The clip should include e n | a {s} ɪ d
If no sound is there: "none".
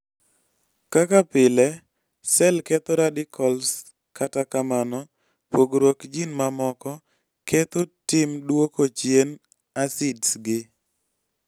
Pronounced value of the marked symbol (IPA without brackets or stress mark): s